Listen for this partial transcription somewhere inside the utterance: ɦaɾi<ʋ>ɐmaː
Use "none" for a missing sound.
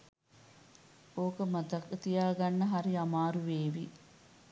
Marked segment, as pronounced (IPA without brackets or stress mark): none